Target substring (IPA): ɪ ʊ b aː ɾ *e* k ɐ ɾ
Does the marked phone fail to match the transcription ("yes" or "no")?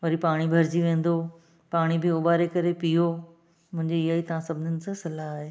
no